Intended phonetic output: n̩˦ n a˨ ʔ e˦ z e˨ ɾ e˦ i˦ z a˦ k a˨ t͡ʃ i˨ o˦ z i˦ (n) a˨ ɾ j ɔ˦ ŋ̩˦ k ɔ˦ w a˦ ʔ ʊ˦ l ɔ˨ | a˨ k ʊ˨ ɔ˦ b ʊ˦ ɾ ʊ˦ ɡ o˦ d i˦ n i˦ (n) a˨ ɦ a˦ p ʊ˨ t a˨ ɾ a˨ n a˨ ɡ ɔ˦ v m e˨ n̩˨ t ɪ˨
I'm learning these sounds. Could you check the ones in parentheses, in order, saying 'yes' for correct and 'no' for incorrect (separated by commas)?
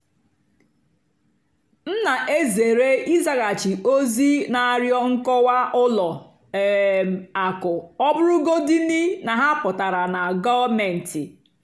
yes, yes